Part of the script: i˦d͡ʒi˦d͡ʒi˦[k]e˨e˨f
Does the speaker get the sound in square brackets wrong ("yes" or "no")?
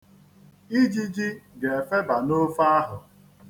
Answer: yes